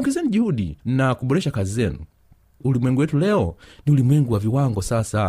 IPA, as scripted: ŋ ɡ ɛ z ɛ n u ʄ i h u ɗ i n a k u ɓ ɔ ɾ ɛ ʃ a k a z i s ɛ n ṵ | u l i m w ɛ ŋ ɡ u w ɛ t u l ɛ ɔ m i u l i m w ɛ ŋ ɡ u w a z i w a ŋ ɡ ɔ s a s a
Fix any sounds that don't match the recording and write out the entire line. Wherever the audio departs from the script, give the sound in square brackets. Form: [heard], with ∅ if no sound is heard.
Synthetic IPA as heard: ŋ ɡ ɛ z ɛ n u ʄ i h u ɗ i n a k u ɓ ɔ ɾ ɛ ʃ a k a z i [z] ɛ n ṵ | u l i m w ɛ ŋ ɡ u w ɛ t u l ɛ ɔ [n] i u l i m w ɛ ŋ ɡ u w a [v] i w a ŋ ɡ ɔ s a s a